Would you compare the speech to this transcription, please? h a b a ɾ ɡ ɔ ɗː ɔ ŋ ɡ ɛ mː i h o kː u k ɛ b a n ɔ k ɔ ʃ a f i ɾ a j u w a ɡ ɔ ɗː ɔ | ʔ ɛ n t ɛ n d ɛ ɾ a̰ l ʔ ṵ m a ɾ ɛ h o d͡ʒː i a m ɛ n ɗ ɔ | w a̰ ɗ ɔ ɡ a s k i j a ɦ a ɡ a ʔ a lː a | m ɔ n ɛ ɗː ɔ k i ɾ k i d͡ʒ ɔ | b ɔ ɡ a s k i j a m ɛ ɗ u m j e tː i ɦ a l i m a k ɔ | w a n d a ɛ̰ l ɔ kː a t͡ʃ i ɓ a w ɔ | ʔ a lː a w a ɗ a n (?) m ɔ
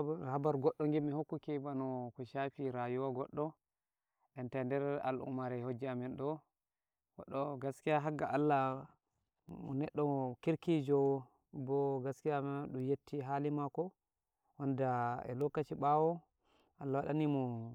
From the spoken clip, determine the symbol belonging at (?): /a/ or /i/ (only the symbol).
i